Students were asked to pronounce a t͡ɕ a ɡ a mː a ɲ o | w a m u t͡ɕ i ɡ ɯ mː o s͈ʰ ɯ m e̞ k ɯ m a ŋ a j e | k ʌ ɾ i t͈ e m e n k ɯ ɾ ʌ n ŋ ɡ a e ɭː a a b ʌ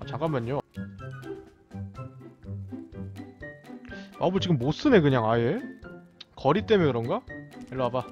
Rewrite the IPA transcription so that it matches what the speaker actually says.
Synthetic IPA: a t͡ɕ a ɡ a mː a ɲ o | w a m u t͡ɕ i ɡ ɯ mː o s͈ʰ ɯ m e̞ k ɯ ɲ a ŋ a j e | k ʌ ɾ i t͈ e m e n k ɯ ɾ ʌ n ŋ ɡ a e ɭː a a b a